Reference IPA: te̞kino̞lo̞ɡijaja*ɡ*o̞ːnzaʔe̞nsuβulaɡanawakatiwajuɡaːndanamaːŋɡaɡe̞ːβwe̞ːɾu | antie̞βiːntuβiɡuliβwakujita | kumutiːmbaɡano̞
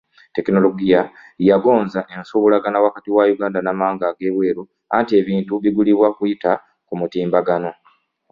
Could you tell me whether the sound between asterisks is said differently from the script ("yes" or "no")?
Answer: no